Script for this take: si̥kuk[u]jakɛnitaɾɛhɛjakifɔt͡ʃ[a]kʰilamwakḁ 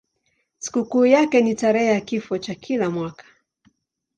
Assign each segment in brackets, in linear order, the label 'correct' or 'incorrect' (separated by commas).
incorrect, correct